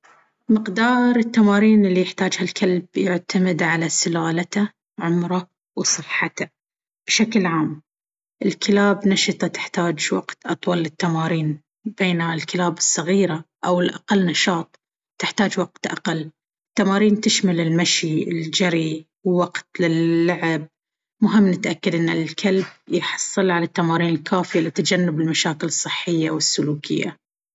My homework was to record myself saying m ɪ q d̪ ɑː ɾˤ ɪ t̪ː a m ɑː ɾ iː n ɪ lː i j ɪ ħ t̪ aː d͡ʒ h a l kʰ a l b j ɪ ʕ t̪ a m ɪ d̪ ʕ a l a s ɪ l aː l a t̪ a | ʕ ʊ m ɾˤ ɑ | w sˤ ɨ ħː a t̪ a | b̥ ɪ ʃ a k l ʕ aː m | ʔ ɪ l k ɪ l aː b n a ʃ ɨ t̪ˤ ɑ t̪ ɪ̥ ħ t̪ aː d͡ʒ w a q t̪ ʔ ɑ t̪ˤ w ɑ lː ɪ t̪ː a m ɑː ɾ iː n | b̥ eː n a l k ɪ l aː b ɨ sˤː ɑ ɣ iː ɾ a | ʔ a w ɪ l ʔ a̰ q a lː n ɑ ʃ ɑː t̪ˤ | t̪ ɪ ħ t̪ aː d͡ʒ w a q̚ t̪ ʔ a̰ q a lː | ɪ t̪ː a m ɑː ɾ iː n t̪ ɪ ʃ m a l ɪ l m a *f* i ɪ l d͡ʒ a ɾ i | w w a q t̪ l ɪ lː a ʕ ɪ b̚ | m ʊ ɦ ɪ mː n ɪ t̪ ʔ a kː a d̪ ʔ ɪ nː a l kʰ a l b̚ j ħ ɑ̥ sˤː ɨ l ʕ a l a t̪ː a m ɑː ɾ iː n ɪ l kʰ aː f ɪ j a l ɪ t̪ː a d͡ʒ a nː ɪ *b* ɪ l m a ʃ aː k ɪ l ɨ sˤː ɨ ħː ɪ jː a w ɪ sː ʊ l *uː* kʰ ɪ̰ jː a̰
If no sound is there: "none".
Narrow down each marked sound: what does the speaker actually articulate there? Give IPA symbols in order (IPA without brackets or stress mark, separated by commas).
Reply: ʃ, b, uː